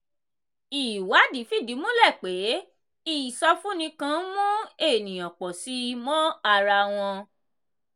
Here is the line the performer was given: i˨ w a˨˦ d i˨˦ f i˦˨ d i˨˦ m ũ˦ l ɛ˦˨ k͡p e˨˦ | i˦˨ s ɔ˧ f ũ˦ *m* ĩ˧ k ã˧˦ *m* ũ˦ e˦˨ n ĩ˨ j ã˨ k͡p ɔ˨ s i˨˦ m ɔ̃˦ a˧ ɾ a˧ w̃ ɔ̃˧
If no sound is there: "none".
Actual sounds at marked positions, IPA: n, m

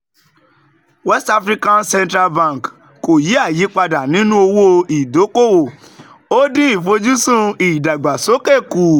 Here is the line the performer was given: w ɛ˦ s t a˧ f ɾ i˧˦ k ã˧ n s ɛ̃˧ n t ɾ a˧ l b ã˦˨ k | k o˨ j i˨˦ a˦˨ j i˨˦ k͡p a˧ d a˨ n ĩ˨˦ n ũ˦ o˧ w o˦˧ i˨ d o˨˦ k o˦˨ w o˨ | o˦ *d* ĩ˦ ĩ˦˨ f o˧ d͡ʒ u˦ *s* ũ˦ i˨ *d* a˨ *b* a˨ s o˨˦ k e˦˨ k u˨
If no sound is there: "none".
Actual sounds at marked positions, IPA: d, s, d, ɡ͡b

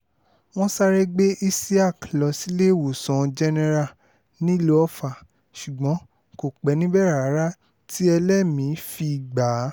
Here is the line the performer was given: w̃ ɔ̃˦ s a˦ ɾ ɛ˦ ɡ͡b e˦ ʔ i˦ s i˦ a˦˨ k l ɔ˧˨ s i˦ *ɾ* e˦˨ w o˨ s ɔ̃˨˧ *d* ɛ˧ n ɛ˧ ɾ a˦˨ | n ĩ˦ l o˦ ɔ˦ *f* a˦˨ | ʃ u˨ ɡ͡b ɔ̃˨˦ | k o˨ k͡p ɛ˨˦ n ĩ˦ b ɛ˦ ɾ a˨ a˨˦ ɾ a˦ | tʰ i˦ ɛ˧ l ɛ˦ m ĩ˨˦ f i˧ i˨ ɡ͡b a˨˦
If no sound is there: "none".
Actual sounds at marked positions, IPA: l, d͡ʒ, f

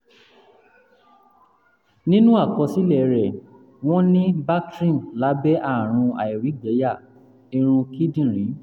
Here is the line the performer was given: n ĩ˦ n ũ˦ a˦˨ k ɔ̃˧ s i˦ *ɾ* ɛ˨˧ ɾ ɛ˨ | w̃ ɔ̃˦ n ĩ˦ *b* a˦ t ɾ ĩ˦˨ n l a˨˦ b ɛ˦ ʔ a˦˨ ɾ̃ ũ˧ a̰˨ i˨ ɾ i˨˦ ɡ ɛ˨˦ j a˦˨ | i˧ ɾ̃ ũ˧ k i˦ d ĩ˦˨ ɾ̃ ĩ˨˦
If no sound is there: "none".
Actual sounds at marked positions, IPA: l, b

